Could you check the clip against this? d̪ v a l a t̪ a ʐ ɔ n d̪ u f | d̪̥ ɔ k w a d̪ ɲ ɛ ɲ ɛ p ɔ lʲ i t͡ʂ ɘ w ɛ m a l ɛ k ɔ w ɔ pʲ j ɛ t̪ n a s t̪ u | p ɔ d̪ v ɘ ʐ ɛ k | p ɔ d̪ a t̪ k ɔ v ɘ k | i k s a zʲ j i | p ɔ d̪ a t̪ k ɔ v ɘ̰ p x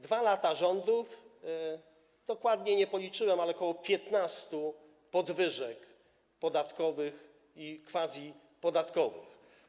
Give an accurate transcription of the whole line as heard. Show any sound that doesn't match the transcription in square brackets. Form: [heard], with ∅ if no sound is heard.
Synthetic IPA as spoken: d̪ v a l a t̪ a ʐ ɔ n d̪ u f | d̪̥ ɔ k w a d̪ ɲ ɛ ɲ ɛ p ɔ lʲ i t͡ʂ ɘ w ɛ m a l ɛ k ɔ w ɔ pʲ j ɛ t̪ n a s t̪ u | p ɔ d̪ v ɘ ʐ ɛ k | p ɔ d̪ a t̪ k ɔ v ɘ [x] | i k [f] a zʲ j i | p ɔ d̪ a t̪ k ɔ v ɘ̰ [∅] x

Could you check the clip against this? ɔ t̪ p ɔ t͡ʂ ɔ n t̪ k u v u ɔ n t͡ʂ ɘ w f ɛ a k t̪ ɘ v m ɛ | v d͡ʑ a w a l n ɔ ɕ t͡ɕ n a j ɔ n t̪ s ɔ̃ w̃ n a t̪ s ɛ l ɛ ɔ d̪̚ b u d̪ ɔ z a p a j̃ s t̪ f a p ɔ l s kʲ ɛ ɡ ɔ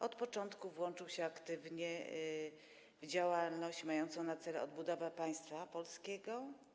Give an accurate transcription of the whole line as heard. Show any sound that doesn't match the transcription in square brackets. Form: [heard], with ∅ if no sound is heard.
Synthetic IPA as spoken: ɔ t̪ p ɔ t͡ʂ ɔ n t̪ k u v [w] ɔ n t͡ʂ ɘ w [ɕ] ɛ a k t̪ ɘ v [ɲ] ɛ | v d͡ʑ a w a l n ɔ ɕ t͡ɕ [m] a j ɔ n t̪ s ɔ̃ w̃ n a t̪ s ɛ l ɛ ɔ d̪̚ b u d̪ ɔ [v] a p a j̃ s t̪ f a p ɔ l s kʲ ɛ ɡ ɔ

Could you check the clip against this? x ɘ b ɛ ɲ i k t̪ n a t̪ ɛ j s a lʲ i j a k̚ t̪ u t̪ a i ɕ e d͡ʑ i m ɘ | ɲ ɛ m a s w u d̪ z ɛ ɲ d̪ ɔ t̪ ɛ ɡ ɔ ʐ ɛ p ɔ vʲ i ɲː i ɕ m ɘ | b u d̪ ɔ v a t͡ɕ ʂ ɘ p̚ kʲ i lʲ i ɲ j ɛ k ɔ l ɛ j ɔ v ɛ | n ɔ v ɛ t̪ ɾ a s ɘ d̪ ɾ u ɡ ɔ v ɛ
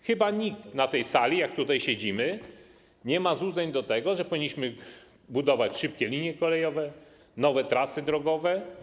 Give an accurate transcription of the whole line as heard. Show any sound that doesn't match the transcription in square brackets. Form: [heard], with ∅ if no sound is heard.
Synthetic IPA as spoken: x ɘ b [a] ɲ i k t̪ n a t̪ ɛ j s a lʲ i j a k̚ t̪ u t̪ a [j] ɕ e d͡ʑ i m ɘ | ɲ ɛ m a [z] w u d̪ z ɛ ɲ d̪ ɔ t̪ ɛ ɡ ɔ ʐ ɛ p ɔ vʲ i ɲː i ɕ m ɘ | b u d̪ ɔ v a t͡ɕ ʂ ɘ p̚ kʲ [ɛ] lʲ i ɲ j ɛ k ɔ l ɛ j ɔ v ɛ | n ɔ v ɛ t̪ ɾ a s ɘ d̪ ɾ [ɔ] ɡ ɔ v ɛ

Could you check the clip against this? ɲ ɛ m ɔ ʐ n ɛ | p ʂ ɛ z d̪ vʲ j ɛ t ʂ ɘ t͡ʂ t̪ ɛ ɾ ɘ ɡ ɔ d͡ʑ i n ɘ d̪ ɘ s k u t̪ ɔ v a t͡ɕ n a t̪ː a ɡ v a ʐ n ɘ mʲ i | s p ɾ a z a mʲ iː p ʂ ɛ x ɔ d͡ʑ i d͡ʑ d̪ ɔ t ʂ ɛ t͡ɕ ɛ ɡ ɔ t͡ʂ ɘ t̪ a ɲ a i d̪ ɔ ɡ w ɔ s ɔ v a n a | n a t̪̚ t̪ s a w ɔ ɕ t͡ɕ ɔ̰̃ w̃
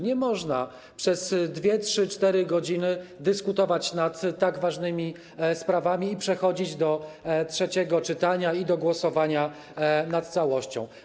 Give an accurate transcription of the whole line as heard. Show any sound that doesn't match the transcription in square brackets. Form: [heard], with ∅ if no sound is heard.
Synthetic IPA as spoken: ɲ ɛ m ɔ ʐ n [a] | p ʂ ɛ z d̪ vʲ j ɛ t ʂ ɘ t͡ʂ t̪ ɛ ɾ ɘ ɡ ɔ d͡ʑ i n ɘ d̪ ɘ s k u t̪ ɔ v a t͡ɕ n a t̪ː a ɡ v a ʐ n ɘ mʲ i | s p ɾ a [v] a mʲ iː p ʂ ɛ x ɔ d͡ʑ i d͡ʑ d̪ ɔ t ʂ ɛ t͡ɕ ɛ ɡ ɔ t͡ʂ ɘ t̪ a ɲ a i d̪ ɔ ɡ w ɔ s ɔ v a [ɲ] a | n a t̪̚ t̪ s a w ɔ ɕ t͡ɕ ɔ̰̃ w̃

